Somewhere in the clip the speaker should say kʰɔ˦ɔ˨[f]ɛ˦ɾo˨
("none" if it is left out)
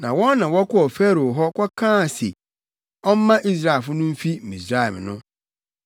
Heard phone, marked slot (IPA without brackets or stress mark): f